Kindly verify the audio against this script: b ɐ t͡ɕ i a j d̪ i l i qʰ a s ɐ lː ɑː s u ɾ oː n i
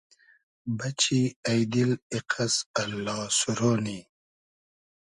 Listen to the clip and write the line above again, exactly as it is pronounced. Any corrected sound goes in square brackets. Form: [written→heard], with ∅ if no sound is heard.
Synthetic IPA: b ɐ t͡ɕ i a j d̪ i l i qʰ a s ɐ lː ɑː s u ɾ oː n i